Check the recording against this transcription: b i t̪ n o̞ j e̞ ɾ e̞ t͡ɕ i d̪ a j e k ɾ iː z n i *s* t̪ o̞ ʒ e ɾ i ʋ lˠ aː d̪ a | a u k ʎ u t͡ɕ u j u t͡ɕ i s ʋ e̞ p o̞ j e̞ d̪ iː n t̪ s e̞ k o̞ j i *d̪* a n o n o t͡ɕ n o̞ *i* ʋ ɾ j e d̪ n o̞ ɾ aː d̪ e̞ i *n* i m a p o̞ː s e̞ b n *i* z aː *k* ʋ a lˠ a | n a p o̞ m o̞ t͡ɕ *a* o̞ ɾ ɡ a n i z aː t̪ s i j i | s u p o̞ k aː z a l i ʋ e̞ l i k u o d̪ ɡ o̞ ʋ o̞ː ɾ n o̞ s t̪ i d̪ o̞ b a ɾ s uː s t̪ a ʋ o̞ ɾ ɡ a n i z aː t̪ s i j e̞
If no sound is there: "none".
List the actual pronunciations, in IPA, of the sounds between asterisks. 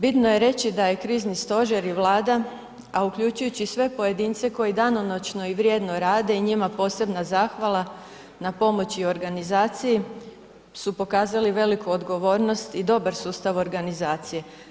s, d̪, i, ɲ, a, x, i

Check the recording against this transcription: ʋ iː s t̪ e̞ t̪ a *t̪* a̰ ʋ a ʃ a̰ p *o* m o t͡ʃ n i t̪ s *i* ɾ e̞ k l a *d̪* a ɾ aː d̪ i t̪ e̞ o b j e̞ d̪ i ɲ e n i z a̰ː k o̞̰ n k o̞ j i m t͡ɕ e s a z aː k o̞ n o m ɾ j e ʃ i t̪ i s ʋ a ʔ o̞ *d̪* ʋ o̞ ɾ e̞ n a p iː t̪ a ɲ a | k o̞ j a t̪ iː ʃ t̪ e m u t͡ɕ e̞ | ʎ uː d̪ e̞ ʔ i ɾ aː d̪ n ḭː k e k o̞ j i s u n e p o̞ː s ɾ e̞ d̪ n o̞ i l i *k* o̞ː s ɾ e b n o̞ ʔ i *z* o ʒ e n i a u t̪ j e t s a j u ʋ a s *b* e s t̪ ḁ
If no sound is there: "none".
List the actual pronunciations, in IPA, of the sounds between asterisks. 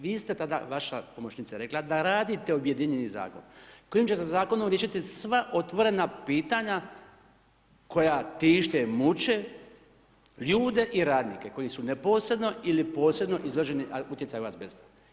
d̪, o, a, d̪, t̪, p, z, b

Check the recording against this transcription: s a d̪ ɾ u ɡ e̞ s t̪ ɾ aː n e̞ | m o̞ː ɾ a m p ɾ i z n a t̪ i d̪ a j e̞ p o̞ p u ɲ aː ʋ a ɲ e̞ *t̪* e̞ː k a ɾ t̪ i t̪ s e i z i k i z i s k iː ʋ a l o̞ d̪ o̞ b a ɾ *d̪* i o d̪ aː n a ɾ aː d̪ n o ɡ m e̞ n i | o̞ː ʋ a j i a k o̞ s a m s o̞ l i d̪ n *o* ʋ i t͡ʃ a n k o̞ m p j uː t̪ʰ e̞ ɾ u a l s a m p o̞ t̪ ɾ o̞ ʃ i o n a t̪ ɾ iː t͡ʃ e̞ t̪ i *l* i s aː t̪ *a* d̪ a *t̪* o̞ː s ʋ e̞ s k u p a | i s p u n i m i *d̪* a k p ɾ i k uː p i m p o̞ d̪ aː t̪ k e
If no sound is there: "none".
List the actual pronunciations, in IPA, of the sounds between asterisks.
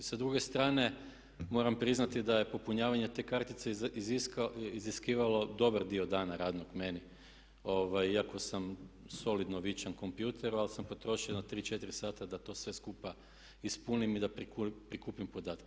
t̪, d̪, o, ɾ, a, t̪, d̪

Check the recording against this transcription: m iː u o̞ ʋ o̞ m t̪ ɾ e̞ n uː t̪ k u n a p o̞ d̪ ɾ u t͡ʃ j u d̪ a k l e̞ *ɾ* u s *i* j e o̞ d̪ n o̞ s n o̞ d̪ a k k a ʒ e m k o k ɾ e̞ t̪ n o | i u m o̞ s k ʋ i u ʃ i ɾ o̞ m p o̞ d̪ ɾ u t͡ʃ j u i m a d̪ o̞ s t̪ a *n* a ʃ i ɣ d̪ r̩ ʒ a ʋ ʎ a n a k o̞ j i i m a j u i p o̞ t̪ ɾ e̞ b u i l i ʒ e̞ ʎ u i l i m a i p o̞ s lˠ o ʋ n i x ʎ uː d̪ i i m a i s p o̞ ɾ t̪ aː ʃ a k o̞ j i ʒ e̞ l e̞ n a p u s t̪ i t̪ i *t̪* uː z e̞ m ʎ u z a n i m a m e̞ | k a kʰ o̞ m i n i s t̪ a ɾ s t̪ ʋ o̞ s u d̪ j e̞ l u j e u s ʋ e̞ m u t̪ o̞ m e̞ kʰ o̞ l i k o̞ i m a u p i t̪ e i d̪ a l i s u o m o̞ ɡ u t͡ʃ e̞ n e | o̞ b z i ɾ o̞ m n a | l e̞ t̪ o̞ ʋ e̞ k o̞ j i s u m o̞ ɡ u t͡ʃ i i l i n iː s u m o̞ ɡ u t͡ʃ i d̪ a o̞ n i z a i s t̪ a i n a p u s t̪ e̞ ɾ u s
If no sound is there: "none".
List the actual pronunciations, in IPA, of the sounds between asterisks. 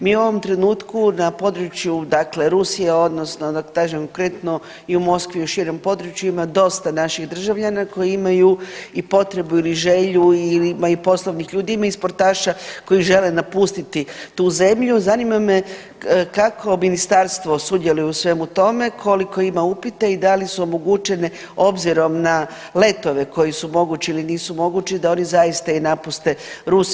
ɾ, i, n, t̪

